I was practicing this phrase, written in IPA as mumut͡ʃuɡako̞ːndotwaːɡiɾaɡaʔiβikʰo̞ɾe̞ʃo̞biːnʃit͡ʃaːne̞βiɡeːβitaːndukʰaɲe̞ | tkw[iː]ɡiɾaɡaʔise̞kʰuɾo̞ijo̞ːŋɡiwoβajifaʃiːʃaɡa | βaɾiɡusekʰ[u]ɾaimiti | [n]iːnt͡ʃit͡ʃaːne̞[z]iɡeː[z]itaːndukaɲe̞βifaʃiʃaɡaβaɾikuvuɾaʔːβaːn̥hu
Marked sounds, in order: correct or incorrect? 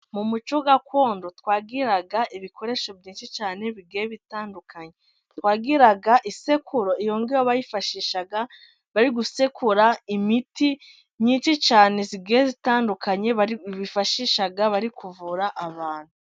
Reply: incorrect: aː, correct, incorrect: ɲ, correct, correct

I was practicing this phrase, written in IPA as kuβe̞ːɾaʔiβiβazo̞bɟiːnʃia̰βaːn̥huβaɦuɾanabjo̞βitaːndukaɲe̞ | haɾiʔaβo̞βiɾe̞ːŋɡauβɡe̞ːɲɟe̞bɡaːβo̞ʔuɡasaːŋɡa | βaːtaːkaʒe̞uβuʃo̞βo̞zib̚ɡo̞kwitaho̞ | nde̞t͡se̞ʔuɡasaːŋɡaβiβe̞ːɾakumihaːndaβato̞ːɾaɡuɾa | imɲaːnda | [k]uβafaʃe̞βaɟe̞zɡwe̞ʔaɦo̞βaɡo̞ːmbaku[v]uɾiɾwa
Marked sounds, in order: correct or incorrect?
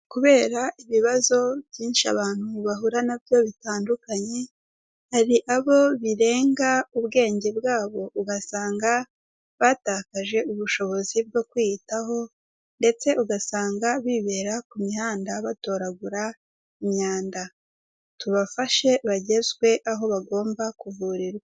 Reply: incorrect: t, correct

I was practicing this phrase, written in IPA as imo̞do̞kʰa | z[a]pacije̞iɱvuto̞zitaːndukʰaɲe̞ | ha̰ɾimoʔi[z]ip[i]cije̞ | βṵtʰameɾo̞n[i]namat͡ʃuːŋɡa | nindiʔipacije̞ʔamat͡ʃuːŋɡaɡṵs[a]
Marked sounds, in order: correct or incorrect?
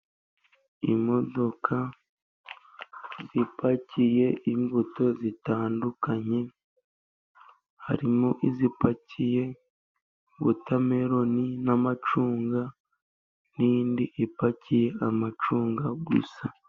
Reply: incorrect: i, correct, incorrect: a, correct, correct

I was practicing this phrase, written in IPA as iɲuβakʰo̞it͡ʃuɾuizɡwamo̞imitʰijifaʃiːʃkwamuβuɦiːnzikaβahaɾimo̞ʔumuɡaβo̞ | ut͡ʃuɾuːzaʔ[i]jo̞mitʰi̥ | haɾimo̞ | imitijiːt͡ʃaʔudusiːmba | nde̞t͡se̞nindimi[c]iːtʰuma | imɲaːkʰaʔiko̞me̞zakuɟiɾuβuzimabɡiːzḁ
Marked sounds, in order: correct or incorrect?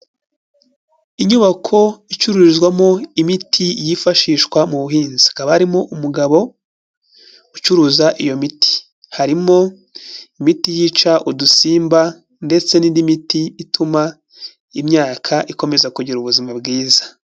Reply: correct, incorrect: t

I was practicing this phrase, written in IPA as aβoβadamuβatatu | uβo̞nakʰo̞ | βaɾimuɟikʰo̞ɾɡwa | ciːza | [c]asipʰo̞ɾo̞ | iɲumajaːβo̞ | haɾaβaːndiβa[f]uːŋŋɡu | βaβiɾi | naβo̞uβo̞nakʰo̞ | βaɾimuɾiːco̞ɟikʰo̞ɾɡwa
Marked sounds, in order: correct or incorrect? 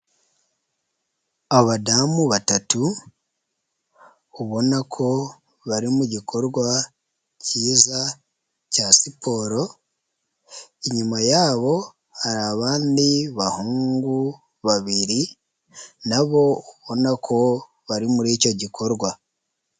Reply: correct, incorrect: h

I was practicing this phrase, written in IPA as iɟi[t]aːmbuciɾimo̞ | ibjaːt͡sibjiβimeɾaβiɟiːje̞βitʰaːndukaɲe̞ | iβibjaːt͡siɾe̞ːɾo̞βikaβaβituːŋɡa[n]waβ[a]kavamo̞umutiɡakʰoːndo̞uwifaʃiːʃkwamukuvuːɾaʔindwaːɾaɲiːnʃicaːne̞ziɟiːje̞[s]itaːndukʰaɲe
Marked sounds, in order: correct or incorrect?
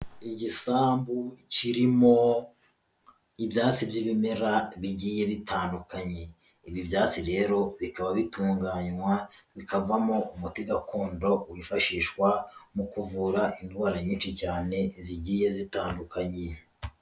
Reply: incorrect: s, incorrect: ɲ, incorrect: i, incorrect: z

